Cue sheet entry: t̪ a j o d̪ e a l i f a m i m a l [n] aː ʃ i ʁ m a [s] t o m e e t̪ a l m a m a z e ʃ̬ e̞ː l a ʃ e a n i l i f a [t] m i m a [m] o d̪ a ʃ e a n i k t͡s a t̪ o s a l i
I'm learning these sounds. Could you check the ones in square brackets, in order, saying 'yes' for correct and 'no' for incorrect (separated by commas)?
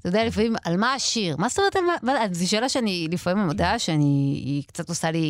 no, yes, no, yes